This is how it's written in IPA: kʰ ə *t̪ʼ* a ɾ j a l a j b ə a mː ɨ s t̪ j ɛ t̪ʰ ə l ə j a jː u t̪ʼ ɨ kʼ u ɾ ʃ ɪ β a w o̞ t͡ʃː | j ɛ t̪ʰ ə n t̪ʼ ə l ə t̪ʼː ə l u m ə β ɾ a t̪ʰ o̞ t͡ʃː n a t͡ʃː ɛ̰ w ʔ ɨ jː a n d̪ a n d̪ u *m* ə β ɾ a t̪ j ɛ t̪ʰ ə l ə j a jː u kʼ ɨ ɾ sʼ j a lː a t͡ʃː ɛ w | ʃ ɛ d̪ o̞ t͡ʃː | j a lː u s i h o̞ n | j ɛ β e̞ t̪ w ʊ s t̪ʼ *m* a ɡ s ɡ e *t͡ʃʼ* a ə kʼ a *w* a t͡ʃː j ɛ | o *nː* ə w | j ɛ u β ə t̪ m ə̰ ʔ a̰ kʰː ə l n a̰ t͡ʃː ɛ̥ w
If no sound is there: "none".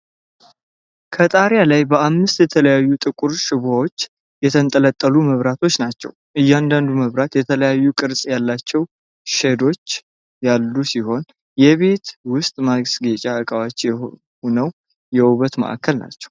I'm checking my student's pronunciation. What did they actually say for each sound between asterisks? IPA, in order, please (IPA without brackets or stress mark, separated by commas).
t̪ʼ, m, m, t͡ʃʼ, w, n